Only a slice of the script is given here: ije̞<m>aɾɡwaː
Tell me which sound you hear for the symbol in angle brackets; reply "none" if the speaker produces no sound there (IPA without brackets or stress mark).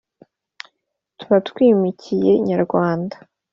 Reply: ɲ